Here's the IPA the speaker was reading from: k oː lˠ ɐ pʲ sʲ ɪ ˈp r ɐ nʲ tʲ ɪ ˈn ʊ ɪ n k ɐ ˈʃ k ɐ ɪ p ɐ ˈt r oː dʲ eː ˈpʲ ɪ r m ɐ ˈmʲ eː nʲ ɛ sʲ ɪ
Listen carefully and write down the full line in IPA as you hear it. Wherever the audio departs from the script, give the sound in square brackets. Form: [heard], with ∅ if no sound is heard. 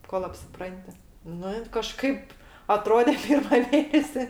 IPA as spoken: k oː lˠ ɐ pʲ sʲ ɪ ˈp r ɐ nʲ tʲ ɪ ˈn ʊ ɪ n k ɐ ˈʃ k ɐ ɪ p ɐ ˈt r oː dʲ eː ˈpʲ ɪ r m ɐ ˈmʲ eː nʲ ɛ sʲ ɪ